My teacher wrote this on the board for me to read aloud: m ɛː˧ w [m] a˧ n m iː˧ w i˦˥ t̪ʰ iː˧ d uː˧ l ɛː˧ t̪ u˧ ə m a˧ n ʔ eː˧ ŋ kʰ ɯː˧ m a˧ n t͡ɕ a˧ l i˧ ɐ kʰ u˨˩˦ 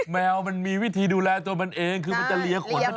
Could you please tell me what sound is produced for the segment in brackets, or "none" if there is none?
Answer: m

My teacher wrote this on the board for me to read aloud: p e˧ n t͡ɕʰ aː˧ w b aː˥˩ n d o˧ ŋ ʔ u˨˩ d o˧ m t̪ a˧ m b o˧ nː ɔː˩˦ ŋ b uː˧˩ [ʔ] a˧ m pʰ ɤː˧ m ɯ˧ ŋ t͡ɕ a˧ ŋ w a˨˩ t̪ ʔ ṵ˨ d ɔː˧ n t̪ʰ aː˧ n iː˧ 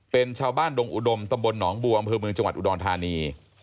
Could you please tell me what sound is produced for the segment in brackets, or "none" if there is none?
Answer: ʔ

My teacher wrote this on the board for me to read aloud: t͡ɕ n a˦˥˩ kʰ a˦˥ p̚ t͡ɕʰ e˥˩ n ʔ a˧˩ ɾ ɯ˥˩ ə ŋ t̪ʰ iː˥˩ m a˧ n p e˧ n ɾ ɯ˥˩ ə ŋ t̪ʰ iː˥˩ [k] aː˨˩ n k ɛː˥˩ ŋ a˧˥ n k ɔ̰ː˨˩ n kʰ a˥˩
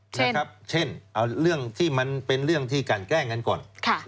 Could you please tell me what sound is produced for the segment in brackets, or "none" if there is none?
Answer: k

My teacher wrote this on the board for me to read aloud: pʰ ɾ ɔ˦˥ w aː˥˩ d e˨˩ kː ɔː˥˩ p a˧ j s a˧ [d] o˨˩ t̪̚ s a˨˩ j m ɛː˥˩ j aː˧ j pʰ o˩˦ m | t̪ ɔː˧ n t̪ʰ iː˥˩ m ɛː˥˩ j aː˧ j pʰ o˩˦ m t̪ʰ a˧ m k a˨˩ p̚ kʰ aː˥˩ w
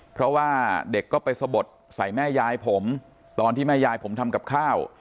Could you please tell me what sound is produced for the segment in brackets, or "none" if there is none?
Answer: b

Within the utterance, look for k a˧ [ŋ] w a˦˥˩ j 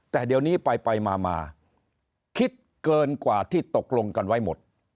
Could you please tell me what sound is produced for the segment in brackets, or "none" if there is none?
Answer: n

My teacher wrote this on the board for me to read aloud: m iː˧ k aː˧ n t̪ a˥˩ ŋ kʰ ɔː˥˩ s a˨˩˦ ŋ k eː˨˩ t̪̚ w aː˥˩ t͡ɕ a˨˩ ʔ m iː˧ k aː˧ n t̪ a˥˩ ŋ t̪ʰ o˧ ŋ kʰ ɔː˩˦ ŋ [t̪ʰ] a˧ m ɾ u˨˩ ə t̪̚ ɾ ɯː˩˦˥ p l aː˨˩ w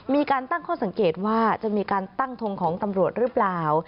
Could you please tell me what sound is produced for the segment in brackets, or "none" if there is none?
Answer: t̪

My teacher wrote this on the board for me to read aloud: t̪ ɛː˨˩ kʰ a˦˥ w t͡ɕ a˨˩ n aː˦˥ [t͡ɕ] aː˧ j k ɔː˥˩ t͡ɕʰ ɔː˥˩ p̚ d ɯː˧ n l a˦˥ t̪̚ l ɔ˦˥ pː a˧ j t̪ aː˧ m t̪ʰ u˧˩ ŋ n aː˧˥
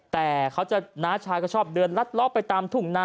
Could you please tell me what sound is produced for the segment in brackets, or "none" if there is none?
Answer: t͡ɕʰ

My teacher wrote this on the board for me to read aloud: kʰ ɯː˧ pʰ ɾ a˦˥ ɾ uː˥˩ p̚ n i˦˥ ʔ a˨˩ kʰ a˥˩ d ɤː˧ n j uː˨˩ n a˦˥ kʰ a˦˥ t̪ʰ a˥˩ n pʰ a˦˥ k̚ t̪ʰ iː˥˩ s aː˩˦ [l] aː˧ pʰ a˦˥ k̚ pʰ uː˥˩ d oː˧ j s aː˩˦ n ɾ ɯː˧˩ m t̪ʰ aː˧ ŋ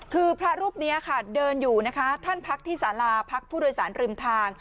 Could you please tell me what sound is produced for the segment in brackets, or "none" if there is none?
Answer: l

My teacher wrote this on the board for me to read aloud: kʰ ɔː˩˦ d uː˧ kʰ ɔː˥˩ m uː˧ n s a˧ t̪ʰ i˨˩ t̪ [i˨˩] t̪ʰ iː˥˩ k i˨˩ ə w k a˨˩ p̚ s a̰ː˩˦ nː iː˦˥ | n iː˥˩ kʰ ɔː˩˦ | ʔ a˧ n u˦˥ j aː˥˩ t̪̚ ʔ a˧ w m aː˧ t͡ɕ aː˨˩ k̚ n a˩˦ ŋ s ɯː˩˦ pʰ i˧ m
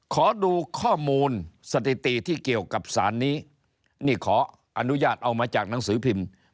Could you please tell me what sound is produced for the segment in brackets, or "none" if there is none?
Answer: i˨˩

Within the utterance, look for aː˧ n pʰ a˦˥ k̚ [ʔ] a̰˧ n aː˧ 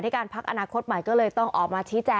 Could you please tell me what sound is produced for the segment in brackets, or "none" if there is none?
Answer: ʔ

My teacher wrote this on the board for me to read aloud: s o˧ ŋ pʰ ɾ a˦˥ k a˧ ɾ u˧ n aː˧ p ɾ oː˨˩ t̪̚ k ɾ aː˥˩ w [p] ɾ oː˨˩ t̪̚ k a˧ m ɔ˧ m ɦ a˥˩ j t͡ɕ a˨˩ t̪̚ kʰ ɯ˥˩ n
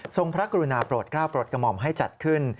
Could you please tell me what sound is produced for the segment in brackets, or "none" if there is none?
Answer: p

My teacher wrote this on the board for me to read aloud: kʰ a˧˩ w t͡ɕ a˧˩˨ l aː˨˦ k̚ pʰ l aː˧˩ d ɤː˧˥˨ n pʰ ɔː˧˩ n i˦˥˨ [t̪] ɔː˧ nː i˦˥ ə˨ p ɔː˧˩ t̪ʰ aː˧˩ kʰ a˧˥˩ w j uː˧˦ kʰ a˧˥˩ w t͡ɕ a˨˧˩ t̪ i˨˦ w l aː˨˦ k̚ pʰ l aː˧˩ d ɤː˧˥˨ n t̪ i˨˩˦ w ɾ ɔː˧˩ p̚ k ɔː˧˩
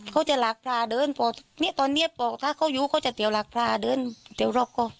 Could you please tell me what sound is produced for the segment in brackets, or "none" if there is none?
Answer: t̪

